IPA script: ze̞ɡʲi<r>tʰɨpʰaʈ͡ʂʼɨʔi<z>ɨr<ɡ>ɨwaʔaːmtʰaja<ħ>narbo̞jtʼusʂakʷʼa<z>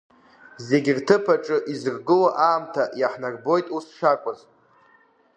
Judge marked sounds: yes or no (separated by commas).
yes, yes, yes, yes, yes